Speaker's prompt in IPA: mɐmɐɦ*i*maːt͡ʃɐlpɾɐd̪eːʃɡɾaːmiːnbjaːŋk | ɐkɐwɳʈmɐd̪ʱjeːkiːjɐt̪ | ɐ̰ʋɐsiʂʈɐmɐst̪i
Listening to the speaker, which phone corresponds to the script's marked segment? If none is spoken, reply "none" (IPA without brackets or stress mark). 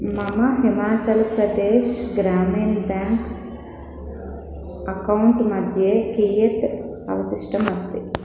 i